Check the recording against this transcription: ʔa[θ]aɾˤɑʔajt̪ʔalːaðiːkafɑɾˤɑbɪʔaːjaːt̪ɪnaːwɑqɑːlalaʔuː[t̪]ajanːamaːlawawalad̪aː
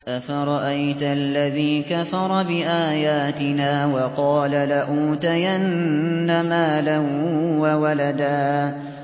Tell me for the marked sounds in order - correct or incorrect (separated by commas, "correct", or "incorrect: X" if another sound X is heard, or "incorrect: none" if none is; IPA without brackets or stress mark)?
incorrect: f, correct